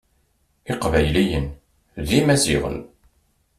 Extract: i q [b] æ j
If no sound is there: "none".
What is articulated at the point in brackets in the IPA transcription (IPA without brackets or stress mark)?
v